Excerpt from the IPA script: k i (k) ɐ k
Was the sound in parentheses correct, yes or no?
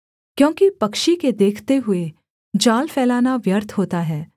no